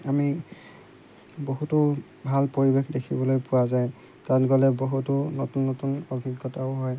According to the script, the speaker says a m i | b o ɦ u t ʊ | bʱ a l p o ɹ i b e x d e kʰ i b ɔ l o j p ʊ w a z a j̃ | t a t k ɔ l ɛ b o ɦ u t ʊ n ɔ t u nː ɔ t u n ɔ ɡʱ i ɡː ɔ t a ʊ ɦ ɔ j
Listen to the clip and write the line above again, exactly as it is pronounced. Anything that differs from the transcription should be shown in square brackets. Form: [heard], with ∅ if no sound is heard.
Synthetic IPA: a m i | b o ɦ u t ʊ | bʱ a l p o ɹ i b e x d e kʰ i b ɔ l o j p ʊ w a z a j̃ | t a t [ɡ] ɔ l ɛ b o ɦ u t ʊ n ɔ t u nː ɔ t u n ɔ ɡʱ i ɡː ɔ t a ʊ ɦ ɔ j